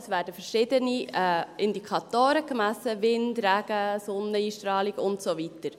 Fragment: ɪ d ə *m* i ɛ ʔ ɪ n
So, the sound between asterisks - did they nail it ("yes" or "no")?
no